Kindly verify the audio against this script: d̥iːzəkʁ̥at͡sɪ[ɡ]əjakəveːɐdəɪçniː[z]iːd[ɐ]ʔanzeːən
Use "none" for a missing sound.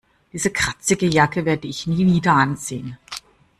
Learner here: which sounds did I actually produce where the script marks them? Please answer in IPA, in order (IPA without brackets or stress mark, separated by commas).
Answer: ɡ, v, ɐ